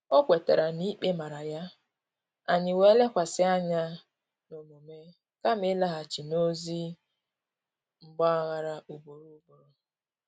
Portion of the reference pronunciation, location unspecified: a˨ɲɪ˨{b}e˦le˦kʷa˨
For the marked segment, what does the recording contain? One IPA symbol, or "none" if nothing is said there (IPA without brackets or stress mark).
w